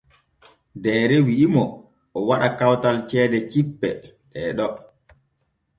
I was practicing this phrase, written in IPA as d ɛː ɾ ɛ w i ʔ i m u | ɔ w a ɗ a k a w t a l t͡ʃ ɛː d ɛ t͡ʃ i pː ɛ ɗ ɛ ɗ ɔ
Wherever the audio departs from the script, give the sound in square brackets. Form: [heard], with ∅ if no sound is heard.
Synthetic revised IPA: d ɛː ɾ ɛ w i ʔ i m [ɔ] | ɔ w a ɗ a k a w t a l t͡ʃ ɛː d ɛ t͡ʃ i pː ɛ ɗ ɛ ɗ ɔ